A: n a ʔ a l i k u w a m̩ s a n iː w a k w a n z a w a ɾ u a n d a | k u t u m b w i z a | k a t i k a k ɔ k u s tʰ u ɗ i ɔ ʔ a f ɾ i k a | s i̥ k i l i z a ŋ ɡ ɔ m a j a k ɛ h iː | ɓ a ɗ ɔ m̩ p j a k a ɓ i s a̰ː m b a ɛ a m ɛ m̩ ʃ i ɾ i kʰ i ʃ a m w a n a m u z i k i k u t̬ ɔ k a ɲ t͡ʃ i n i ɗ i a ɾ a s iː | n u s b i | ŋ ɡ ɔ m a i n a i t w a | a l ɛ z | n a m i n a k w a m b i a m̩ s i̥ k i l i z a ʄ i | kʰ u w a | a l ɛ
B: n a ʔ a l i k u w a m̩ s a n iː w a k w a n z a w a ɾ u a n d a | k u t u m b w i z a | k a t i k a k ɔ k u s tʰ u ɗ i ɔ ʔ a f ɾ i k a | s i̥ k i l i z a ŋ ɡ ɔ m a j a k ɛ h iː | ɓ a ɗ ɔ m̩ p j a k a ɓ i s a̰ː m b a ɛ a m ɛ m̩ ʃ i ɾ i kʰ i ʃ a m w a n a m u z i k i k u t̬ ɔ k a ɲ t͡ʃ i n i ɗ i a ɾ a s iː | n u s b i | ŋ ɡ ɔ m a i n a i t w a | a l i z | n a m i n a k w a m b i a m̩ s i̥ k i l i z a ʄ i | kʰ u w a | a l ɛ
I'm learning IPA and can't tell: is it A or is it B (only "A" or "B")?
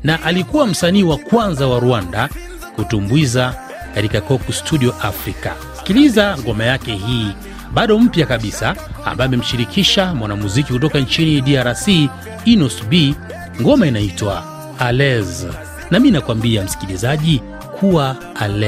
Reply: A